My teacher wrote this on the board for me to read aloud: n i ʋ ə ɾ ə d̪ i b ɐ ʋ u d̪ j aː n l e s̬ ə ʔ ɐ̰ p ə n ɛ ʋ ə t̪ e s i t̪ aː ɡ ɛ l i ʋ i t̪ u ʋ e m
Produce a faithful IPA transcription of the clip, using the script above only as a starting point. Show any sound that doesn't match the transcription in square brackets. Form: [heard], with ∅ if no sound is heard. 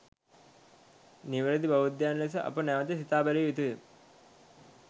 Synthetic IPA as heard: n i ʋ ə ɾ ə d̪ i b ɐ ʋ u d̪ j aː n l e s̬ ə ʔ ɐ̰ p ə n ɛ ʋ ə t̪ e s i t̪ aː [b] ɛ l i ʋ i t̪ u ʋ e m

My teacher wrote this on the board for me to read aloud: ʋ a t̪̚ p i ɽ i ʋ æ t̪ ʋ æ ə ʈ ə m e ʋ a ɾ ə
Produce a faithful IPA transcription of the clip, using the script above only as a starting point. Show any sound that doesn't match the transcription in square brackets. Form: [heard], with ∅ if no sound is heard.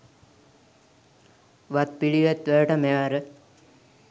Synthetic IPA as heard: ʋ a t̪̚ p i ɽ i ʋ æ t̪ ʋ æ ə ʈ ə m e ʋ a ɾ ə

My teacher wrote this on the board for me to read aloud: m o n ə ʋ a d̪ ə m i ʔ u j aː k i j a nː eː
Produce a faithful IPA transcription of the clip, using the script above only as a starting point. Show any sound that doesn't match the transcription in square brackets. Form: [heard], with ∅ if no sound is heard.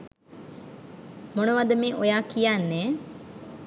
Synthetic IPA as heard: m o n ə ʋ a d̪ ə m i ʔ [o] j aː k i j a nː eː

